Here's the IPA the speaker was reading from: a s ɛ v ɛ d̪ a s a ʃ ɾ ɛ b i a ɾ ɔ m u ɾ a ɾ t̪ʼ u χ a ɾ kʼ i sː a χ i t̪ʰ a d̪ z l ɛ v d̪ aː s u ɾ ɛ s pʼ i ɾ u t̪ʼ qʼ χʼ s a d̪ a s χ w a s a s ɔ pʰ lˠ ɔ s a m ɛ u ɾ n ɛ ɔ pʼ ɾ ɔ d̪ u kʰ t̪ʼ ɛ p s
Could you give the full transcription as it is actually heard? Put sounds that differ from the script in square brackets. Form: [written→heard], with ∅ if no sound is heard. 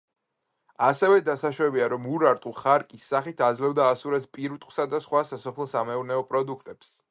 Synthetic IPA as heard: a s ɛ v ɛ d̪ a s a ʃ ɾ ɛ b i a ɾ ɔ m u ɾ a ɾ t̪ʼ u χ a ɾ kʼ i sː a χ i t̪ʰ a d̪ z l ɛ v d̪ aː s u ɾ ɛ s pʼ i ɾ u t̪ʼ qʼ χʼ s a d̪ a s χ w a s a s ɔ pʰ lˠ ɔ s a m ɛ u ɾ n ɛ ɔ pʼ ɾ ɔ d̪ u kʰ t̪ʼ ɛ p s

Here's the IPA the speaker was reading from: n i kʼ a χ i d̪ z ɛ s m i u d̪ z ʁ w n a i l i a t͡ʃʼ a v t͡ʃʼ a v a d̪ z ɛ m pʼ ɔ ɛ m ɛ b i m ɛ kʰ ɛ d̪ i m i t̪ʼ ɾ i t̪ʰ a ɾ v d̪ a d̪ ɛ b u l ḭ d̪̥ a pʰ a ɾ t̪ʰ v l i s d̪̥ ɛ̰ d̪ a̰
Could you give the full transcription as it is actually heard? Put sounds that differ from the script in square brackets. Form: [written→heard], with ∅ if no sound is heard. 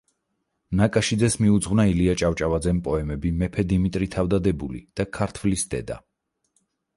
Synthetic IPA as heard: n [i→a] kʼ a [χ→ʃ] i d̪ z ɛ s m i u d̪ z ʁ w n a i l i a t͡ʃʼ a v t͡ʃʼ a v a d̪ z ɛ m pʼ ɔ ɛ m ɛ b i m ɛ [kʰ→pʰ] ɛ d̪ i m i t̪ʼ ɾ i t̪ʰ a [ɾ→∅] v d̪ a d̪ ɛ b u l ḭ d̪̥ a [pʰ→kʰ] a ɾ t̪ʰ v l i s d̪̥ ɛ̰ d̪ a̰

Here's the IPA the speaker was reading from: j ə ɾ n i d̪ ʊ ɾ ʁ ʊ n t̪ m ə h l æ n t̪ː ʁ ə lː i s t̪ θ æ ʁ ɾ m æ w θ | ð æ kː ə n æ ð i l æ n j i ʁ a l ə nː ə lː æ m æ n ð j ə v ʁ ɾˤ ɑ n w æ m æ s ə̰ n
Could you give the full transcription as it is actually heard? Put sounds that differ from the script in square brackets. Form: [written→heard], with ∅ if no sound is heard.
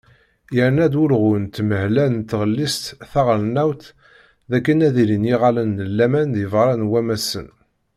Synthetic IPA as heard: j ə ɾ n [i→æ] d̪ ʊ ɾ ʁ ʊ n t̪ m ə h l æ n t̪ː ʁ ə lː i s t̪ θ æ ʁ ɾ [m→n] æ w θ | ð æ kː ə n æ ð i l [æ→i] n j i ʁ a l ə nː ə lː æ m æ n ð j ə v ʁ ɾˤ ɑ n w æ m æ s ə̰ n

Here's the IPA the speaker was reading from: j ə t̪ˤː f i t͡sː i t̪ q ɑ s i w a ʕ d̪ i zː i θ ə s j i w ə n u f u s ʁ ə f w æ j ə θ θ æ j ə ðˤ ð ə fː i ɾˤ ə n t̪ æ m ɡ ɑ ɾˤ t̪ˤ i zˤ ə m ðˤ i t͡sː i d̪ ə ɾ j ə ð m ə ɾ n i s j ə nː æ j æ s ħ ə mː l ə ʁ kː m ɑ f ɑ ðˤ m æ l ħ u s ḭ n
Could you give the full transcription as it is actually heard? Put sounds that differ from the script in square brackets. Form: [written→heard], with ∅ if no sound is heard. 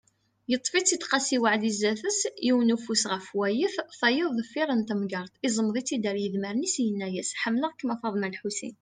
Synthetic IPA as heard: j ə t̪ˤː f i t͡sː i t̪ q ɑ s i w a ʕ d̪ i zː [i→æ] θ ə s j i w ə n u f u s ʁ ə f w æ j ə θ θ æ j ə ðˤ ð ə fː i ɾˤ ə n t̪ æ m ɡ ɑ ɾˤ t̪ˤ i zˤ ə m ðˤ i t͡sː i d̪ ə ɾ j ə ð m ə ɾ n i s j ə nː æ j æ s ħ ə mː l ə ʁ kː m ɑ f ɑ ðˤ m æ l ħ u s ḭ n

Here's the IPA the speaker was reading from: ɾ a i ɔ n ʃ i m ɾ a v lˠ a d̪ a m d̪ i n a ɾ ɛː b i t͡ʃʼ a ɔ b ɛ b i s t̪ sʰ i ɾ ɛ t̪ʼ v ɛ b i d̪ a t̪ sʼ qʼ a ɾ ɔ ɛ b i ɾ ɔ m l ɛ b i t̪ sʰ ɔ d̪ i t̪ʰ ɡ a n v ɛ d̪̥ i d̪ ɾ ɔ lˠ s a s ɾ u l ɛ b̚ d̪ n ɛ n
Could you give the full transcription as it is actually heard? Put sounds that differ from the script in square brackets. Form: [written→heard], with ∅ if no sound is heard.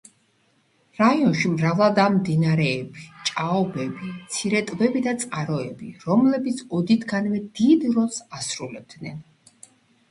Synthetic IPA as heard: ɾ a i ɔ n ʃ i m ɾ a v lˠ a d̪ a m d̪ i n a ɾ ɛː b i t͡ʃʼ a ɔ b ɛ b i [s→∅] t̪ sʰ i ɾ ɛ t̪ʼ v ɛ b i d̪ a t̪ sʼ qʼ a ɾ ɔ ɛ b i ɾ ɔ m l ɛ b i t̪ sʰ ɔ d̪ i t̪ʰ ɡ a n v ɛ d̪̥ i d̪ ɾ ɔ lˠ s a s ɾ u l ɛ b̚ d̪ n ɛ n

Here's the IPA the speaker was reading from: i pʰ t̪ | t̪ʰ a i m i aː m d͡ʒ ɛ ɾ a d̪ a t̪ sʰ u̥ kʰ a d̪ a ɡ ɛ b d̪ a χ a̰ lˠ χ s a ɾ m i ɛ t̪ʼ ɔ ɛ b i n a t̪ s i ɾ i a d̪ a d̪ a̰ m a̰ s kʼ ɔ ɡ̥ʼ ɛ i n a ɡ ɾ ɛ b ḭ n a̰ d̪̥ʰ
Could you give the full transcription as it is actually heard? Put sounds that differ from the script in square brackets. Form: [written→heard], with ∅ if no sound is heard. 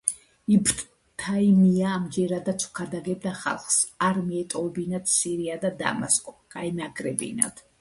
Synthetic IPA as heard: i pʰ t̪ | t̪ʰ a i m i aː m d͡ʒ ɛ ɾ a d̪ a t̪ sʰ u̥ kʰ a d̪ a ɡ ɛ b d̪ a χ a̰ lˠ χ s a ɾ m i ɛ t̪ʼ ɔ ɛ b i n a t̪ s i ɾ i a d̪ a d̪ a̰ m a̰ s kʼ ɔ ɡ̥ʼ [ɛ→a] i n a ɡ ɾ ɛ b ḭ n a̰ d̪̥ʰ

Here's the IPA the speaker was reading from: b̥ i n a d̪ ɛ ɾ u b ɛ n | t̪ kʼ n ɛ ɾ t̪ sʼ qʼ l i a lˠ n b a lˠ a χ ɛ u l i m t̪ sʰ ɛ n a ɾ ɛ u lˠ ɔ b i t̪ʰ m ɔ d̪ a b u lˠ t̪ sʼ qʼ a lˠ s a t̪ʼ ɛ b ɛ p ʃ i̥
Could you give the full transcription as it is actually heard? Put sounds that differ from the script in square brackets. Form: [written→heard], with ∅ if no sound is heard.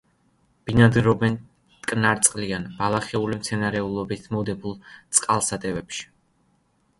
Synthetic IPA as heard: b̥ i n a d̪ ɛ ɾ [u→ɔ] b ɛ n | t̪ kʼ n [ɛ→a] ɾ t̪ sʼ qʼ l i a [lˠ→∅] n b a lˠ a χ ɛ u l i m t̪ sʰ ɛ n a ɾ ɛ u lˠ ɔ b i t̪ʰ m ɔ d̪ [a→ɛ] b u lˠ t̪ sʼ qʼ a lˠ s a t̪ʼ ɛ [b→v] ɛ p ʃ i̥

